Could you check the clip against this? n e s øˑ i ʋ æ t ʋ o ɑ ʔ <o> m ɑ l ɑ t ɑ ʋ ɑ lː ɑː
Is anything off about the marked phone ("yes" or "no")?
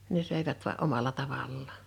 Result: no